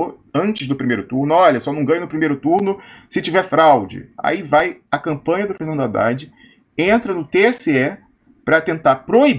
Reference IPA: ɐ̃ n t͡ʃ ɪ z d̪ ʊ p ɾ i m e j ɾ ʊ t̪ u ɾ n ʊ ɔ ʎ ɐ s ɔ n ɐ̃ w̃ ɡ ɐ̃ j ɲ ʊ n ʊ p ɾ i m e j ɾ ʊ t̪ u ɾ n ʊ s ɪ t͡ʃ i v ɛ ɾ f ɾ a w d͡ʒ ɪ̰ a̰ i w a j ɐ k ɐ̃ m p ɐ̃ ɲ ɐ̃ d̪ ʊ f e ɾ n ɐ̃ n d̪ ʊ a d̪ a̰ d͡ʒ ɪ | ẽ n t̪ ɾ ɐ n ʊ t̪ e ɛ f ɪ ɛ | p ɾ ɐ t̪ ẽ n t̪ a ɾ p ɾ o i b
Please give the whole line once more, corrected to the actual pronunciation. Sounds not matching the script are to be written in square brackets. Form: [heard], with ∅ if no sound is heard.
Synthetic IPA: ɐ̃ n t͡ʃ ɪ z d̪ ʊ p ɾ i m e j ɾ ʊ t̪ u ɾ n ʊ ɔ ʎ ɐ s ɔ n ɐ̃ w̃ ɡ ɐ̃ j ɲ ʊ n ʊ p ɾ i m e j ɾ ʊ t̪ u ɾ n ʊ s ɪ t͡ʃ i v ɛ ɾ f ɾ a w d͡ʒ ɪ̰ a̰ i [v] a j ɐ k ɐ̃ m p ɐ̃ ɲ [ɐ] d̪ ʊ f e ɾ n ɐ̃ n d̪ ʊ a d̪ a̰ d͡ʒ ɪ | ẽ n t̪ ɾ ɐ n ʊ t̪ e ɛ [s] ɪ ɛ | p ɾ ɐ t̪ ẽ n t̪ a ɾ p ɾ o i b